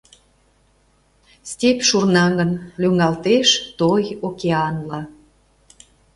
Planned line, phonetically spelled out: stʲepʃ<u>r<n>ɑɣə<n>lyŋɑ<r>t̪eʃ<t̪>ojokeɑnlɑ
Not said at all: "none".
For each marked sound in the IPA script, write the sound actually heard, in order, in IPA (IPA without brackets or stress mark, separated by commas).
u, n, n, l, t̪